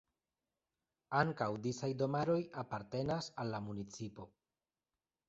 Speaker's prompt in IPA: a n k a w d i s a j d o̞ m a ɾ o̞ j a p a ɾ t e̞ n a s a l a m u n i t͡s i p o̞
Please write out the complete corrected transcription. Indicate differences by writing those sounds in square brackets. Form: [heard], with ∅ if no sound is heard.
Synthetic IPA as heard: a [ŋ] k a w d i s a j d o̞ m a ɾ o̞ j a p a ɾ t e̞ n a s a [lː] a m u n i t͡s i p o̞